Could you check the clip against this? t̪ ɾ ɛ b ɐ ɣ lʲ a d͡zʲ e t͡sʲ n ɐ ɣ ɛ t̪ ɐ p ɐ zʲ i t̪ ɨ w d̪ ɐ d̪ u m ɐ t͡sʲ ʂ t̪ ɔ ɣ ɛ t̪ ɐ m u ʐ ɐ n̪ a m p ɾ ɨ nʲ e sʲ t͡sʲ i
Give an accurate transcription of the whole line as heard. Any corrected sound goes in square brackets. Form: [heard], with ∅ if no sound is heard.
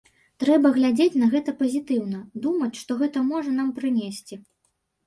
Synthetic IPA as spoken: t̪ ɾ ɛ b ɐ ɣ lʲ a d͡zʲ e t͡sʲ n ɐ ɣ ɛ t̪ ɐ p ɐ zʲ i t̪ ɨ w [n̪] ɐ d̪ u m ɐ t͡sʲ ʂ t̪ ɔ ɣ ɛ t̪ ɐ m [ɔ] ʐ ɐ n̪ a m p ɾ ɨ nʲ e sʲ t͡sʲ i